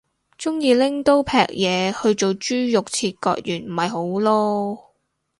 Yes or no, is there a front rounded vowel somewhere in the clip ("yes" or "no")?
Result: yes